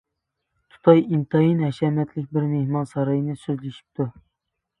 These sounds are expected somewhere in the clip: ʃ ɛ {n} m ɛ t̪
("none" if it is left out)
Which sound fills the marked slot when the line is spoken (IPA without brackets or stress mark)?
none